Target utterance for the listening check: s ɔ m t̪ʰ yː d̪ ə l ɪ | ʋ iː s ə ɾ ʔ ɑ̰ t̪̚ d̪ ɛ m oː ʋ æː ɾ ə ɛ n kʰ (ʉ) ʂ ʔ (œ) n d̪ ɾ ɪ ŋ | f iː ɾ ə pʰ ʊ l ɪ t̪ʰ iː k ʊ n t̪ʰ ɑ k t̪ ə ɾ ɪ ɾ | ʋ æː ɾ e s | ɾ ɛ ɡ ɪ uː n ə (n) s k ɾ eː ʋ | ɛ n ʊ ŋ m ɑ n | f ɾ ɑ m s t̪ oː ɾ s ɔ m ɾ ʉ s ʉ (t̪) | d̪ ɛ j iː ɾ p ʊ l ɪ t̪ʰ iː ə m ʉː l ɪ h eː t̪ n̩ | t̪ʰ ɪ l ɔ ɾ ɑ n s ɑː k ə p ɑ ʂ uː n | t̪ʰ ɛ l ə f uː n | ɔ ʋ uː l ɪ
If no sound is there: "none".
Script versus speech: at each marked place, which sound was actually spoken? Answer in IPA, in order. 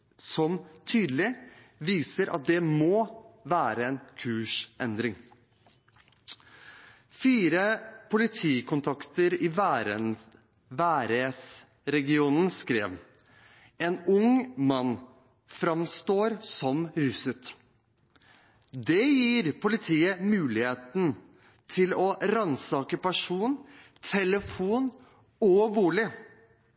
ʉː, ɛ, n, t̪

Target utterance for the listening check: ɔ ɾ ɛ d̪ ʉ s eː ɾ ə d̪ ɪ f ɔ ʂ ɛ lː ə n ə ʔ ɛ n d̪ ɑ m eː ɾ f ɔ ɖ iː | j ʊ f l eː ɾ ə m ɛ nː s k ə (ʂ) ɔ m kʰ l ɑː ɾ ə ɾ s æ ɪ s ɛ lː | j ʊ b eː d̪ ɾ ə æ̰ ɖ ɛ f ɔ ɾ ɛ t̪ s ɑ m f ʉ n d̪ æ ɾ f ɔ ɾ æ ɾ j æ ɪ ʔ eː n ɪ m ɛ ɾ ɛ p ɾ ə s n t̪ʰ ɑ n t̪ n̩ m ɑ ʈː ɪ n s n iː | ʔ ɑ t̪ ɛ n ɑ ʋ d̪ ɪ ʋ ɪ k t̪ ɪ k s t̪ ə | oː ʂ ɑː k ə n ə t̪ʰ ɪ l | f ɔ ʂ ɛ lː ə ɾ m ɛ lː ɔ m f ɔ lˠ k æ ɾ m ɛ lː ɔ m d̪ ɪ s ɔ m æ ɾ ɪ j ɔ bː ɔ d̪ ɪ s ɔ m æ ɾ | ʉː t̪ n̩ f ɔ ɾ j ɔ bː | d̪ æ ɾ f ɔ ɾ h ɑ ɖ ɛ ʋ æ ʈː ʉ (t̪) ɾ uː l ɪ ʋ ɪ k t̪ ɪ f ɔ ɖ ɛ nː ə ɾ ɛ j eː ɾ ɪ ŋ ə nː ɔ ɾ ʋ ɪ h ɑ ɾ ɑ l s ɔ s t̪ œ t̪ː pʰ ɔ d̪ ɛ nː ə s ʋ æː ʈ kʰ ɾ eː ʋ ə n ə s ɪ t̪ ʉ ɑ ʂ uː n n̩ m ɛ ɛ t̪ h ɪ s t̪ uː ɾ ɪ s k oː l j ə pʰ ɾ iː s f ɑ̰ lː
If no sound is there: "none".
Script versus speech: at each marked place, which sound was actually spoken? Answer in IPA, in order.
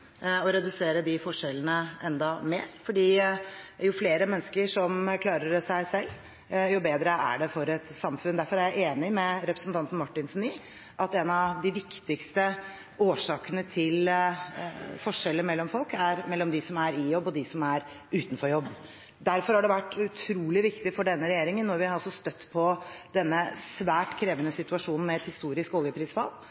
ʂ, t̪ʰ

